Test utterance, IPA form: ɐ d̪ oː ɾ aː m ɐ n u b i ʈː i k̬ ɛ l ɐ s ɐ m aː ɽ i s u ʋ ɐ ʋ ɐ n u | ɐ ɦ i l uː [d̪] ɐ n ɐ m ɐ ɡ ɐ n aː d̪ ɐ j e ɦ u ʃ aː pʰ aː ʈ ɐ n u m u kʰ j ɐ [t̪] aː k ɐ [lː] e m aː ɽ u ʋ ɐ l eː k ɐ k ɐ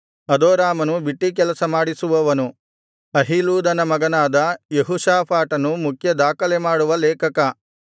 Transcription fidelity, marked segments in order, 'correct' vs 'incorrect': correct, incorrect, incorrect

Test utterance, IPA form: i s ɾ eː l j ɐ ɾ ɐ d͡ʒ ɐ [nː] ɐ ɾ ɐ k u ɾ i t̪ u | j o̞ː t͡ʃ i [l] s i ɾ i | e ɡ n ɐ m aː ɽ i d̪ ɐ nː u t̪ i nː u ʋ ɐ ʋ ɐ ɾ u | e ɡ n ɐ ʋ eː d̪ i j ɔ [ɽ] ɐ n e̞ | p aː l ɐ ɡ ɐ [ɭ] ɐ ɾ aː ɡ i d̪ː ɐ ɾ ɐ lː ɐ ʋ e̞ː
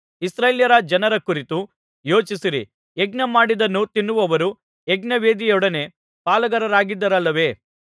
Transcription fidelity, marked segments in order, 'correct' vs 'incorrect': incorrect, incorrect, correct, incorrect

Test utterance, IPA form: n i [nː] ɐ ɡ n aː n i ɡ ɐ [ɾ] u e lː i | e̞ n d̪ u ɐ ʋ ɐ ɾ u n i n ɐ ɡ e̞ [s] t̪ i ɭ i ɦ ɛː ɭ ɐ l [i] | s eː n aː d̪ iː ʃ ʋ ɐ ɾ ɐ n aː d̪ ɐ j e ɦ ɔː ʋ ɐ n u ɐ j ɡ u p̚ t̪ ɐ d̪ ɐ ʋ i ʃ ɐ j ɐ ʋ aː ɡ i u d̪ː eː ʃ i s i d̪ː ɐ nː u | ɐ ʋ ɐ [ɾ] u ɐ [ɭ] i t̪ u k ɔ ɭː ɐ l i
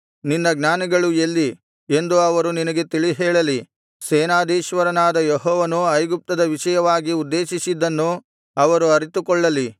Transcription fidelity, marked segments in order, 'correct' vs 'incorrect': correct, incorrect, incorrect, correct, correct, incorrect

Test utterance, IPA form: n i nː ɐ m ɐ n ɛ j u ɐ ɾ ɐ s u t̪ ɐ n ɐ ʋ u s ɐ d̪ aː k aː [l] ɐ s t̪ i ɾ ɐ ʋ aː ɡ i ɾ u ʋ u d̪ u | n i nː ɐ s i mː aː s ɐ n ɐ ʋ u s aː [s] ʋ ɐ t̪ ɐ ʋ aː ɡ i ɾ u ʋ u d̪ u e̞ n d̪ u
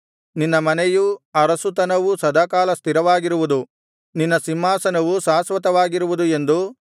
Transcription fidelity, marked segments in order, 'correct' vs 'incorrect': correct, correct

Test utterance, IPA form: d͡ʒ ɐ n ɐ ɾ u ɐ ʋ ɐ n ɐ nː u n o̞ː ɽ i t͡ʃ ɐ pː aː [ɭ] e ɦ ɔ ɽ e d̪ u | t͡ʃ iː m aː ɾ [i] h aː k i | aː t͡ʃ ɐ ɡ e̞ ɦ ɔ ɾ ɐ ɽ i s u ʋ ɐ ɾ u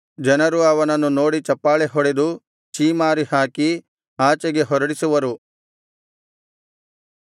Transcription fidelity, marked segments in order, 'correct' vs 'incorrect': correct, correct

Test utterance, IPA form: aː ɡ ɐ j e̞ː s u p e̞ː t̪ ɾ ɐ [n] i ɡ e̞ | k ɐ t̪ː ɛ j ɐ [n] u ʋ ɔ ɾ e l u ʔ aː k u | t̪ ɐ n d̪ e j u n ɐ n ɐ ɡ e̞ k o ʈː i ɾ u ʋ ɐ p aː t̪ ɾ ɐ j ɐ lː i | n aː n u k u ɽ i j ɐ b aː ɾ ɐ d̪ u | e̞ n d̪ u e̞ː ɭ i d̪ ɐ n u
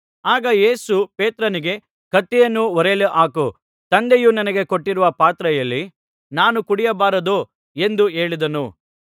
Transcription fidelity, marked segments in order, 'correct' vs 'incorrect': correct, incorrect

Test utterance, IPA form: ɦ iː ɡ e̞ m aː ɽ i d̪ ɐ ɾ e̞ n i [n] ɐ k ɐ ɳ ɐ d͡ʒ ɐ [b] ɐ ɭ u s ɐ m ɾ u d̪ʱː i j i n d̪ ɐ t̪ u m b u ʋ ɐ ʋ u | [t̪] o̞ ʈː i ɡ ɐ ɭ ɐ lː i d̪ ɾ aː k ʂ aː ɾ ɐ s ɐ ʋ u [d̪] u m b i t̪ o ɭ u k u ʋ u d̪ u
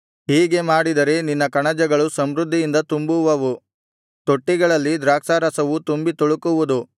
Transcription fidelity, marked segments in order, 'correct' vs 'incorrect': incorrect, incorrect, correct, incorrect

